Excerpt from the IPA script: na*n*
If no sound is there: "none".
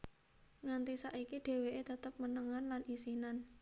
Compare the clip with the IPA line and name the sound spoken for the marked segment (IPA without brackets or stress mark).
n